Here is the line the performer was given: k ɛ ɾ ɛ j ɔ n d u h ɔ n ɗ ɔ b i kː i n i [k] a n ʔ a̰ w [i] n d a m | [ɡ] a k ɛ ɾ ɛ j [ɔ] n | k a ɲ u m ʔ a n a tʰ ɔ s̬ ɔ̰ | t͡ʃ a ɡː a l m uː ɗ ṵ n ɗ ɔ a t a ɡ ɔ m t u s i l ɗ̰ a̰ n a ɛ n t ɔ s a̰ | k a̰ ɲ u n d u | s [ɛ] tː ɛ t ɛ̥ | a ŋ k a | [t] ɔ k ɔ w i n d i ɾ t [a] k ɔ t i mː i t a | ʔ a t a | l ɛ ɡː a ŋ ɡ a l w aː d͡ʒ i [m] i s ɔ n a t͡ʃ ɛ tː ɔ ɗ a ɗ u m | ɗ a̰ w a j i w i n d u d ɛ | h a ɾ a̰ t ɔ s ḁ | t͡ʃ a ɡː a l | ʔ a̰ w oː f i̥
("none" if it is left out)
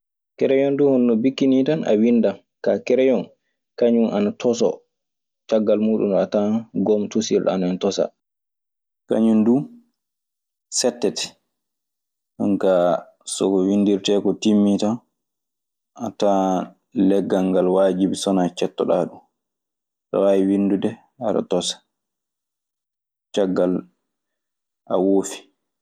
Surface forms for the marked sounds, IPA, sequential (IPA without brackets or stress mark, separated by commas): t, i, k, ɔ, ɛ, s, ɛ, b